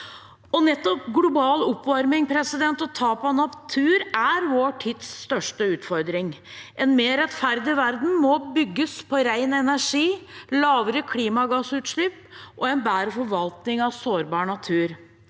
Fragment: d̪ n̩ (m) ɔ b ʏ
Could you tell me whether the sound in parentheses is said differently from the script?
no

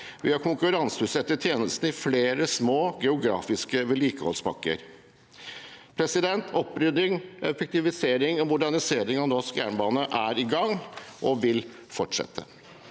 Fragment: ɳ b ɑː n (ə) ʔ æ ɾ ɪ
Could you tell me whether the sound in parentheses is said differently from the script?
no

